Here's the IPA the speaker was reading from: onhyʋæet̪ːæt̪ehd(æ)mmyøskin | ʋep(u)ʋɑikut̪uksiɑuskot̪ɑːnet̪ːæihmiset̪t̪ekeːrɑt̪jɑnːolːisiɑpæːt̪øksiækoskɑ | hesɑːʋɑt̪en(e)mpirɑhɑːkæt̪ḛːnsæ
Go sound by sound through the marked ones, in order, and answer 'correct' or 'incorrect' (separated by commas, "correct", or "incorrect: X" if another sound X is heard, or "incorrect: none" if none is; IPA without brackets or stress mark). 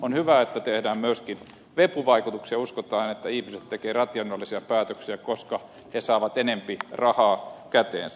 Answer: incorrect: æː, correct, correct